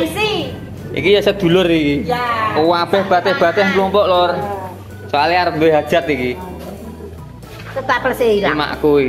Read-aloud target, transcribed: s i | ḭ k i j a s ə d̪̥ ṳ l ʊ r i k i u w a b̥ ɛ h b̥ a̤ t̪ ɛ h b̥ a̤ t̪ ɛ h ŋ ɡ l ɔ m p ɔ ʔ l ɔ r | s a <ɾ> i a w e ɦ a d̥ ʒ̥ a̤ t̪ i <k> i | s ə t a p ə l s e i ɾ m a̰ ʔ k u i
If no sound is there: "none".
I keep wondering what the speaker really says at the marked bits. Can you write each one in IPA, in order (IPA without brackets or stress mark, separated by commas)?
l, k